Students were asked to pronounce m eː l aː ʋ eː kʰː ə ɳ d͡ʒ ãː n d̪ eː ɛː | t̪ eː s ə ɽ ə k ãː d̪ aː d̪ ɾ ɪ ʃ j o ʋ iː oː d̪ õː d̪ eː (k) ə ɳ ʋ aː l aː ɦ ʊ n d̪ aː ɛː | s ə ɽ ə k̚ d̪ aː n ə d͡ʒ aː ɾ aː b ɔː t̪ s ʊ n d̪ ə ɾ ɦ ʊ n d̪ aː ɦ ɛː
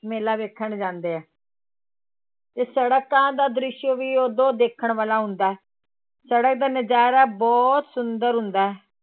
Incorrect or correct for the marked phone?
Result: incorrect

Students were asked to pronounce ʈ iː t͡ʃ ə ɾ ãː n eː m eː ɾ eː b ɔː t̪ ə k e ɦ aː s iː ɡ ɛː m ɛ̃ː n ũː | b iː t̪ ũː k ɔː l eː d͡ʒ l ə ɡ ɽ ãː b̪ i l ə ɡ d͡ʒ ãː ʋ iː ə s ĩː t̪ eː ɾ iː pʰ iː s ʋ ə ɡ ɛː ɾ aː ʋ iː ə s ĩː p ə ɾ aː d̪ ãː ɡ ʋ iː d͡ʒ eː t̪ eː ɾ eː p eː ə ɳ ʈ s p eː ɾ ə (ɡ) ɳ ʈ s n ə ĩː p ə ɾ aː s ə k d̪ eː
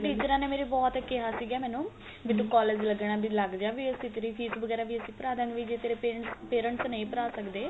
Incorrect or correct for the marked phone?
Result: incorrect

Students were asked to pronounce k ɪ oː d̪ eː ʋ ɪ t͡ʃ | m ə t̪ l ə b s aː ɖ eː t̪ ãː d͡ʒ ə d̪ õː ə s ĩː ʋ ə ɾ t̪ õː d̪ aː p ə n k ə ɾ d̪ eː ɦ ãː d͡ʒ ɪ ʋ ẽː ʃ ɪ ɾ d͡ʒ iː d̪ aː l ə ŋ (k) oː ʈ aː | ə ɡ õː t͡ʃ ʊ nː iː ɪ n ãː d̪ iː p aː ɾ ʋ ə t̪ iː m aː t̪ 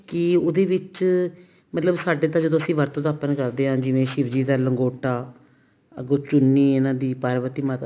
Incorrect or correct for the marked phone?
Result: incorrect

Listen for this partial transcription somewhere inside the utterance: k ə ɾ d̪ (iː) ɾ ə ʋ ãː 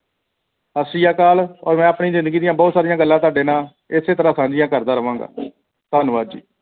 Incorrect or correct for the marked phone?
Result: incorrect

